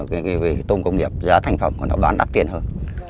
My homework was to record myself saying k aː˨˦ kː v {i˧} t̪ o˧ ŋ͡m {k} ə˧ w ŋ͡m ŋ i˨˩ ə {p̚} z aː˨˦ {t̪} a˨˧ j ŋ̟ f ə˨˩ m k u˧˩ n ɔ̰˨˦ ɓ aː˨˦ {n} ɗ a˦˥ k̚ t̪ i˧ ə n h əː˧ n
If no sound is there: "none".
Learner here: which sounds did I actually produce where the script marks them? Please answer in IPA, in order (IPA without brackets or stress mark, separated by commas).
i˨˩, k, p̚, t̪ʰ, n